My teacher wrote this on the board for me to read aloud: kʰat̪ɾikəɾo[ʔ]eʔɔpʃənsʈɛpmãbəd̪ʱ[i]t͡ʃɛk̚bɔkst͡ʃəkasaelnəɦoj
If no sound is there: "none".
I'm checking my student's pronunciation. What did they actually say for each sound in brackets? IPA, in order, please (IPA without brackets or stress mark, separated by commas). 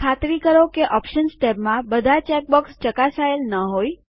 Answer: k, a